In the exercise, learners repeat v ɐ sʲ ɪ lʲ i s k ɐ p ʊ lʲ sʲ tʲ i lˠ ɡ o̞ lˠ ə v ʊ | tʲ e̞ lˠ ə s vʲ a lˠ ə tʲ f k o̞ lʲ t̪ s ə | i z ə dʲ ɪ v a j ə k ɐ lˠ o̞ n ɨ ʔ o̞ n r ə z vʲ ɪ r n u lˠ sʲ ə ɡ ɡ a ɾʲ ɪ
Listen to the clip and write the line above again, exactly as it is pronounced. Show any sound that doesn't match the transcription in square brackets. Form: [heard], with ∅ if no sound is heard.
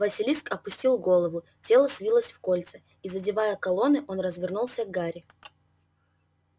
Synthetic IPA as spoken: v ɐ sʲ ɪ lʲ i s k ɐ p ʊ [∅] sʲ tʲ i lˠ ɡ o̞ lˠ ə v ʊ | tʲ e̞ lˠ ə s vʲ [i] lˠ ə [sʲ] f k o̞ lʲ t̪ s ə | i z ə dʲ ɪ v a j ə k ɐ lˠ o̞ n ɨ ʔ o̞ n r ə z vʲ ɪ r n u lˠ sʲ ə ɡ ɡ a ɾʲ ɪ